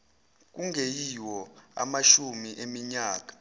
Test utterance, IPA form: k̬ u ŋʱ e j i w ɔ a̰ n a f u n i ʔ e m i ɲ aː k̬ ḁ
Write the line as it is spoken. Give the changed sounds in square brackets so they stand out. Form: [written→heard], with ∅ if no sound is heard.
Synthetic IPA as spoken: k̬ u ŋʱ e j i w ɔ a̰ [n→m] a [f→ʃ] u [n→m] i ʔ e m i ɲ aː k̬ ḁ